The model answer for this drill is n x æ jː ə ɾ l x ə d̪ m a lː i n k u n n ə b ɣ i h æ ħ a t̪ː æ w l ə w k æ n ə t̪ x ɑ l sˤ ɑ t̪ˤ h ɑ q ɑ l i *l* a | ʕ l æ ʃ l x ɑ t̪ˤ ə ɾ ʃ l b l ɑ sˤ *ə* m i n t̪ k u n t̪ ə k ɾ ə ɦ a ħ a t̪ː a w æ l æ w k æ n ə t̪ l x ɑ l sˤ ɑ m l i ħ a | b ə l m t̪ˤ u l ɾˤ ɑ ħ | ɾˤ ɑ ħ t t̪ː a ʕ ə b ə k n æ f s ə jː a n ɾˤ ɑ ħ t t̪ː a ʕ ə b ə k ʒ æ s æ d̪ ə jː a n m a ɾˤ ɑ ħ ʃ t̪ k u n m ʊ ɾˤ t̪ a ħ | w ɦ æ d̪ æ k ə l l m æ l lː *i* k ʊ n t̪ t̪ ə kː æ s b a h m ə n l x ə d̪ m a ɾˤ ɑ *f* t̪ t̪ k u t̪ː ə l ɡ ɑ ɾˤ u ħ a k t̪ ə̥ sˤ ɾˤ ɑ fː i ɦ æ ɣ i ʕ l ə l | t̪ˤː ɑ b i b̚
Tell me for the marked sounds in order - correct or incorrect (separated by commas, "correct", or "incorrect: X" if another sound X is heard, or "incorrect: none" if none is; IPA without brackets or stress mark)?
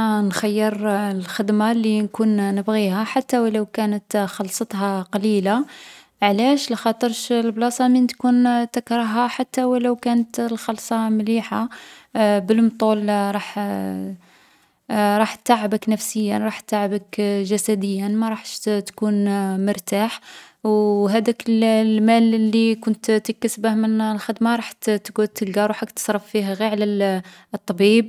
correct, incorrect: ɑ, correct, incorrect: ħ